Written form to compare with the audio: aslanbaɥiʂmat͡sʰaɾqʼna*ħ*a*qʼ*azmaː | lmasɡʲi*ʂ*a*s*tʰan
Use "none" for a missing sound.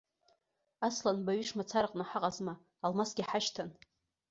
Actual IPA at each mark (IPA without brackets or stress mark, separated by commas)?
ħ, qʼ, ħ, ʃ